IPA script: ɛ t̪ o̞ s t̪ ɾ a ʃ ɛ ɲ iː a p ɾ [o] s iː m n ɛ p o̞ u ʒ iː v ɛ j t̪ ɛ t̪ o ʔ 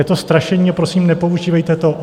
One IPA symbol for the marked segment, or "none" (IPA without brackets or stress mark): o